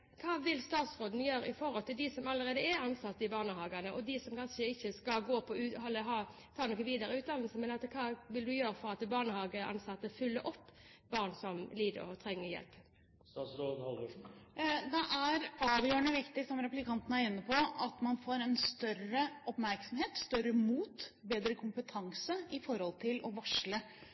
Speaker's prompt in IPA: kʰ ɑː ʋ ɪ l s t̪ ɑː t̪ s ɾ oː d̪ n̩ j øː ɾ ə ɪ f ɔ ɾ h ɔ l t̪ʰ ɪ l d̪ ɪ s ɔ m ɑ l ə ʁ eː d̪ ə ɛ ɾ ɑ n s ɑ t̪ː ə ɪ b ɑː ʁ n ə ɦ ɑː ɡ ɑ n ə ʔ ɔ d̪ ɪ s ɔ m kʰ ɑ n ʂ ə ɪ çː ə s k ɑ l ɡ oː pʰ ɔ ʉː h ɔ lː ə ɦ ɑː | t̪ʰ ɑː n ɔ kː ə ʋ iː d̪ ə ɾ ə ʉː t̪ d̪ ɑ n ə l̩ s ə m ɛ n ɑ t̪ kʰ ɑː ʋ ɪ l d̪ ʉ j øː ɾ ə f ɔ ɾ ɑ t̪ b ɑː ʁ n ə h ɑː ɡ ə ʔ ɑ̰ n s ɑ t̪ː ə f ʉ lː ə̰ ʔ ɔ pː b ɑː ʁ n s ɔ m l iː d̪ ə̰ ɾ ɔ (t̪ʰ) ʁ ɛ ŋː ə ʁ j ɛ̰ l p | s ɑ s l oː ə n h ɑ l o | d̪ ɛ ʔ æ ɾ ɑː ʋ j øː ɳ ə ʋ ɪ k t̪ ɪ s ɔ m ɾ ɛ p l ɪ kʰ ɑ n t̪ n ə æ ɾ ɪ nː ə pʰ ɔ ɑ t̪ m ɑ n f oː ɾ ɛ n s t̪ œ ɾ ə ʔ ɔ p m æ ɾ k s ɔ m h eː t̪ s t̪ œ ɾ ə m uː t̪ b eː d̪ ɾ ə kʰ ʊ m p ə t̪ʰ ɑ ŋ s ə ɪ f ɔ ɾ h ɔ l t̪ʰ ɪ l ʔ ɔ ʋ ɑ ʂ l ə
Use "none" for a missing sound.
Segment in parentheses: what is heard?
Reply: t̪ʰ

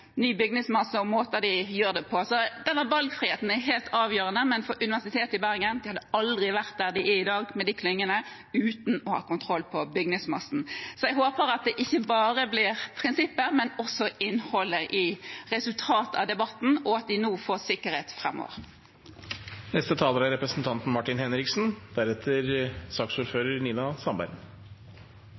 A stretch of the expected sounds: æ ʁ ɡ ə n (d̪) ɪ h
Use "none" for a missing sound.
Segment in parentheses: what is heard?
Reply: d̪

